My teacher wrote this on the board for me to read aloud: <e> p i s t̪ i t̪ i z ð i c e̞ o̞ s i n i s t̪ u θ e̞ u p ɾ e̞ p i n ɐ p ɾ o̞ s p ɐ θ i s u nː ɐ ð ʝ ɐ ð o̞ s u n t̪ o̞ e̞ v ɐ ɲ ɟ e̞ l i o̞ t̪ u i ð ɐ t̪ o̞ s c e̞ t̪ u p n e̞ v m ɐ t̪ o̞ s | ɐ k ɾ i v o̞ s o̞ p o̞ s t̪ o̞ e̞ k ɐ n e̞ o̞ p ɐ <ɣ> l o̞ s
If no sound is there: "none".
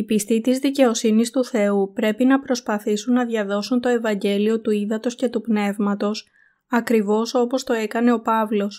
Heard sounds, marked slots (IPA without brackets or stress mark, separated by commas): i, v